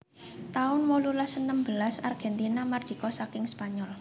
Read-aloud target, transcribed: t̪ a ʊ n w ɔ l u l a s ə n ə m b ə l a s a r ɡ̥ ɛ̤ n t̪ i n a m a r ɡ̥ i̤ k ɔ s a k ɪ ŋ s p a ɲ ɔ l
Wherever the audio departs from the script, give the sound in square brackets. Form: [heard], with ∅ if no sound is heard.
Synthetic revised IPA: t̪ a ʊ n w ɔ l u l a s ə n ə m b ə l a s a r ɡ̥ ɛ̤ n t̪ i n a m a r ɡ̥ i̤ k ɔ s a k ɪ ŋ s p a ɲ ɔ l